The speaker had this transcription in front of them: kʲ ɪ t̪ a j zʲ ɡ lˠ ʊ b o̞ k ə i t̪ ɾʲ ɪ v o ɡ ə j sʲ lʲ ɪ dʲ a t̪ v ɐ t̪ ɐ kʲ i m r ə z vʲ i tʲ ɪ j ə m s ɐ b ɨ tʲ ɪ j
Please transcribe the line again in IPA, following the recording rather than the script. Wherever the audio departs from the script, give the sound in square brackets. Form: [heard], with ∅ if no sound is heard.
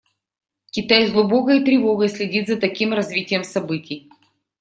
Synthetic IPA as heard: kʲ ɪ t̪ a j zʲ ɡ lˠ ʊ b o̞ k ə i t̪ ɾʲ ɪ v o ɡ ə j sʲ lʲ ɪ dʲ [i] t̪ [z] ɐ t̪ ɐ kʲ i m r [ɐ] z vʲ i tʲ ɪ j ə m s ɐ b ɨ tʲ ɪ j